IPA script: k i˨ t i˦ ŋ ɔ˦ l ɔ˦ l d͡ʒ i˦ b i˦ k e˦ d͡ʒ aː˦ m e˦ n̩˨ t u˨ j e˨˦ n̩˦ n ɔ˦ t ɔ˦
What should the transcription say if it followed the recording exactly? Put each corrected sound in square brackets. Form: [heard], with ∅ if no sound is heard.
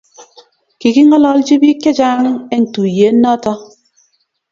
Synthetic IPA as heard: k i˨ [k] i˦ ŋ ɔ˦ l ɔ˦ l d͡ʒ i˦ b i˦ k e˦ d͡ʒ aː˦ [ŋ] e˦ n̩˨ t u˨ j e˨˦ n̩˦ n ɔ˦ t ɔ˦